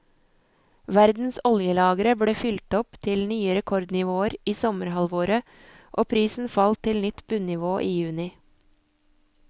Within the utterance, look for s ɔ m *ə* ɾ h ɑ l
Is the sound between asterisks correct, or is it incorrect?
correct